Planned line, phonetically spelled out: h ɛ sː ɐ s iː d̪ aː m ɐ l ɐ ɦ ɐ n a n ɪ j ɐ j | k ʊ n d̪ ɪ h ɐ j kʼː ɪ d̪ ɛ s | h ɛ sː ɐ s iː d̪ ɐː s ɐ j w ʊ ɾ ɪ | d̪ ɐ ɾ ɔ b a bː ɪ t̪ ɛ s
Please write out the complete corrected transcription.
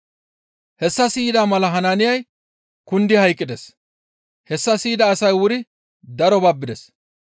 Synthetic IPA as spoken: h ɛ sː ɐ s iː d̪ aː m ɐ l ɐ ɦ ɐ n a n ɪ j ɐ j | k ʊ n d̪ ɪ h ɐ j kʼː ɪ d̪ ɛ s | h ɛ sː ɐ s iː d̪ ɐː s ɐ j w ʊ ɾ ɪ | d̪ ɐ ɾ ɔ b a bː ɪ d̪ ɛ s